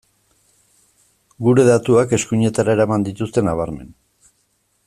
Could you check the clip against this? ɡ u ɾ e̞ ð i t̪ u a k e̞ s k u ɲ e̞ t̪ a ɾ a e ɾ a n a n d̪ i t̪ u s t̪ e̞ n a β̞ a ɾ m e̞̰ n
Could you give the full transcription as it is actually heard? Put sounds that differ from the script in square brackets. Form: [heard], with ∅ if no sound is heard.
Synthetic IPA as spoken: ɡ u ɾ e̞ ð [a] t̪ u a k e̞ s k u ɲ e̞ t̪ a ɾ a e ɾ a [m] a n d̪ i t̪ u s t̪ e̞ n a β̞ a ɾ m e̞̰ n